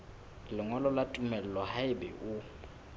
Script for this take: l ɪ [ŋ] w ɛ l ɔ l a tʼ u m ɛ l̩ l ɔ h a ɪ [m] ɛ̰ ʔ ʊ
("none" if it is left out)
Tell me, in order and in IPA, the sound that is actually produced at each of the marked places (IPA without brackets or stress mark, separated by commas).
ŋ, b